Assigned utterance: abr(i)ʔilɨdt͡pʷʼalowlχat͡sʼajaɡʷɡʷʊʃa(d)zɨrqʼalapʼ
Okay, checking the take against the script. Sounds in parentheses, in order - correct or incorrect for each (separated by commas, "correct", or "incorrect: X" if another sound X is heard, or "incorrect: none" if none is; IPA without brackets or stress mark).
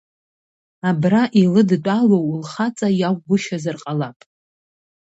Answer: incorrect: a, incorrect: none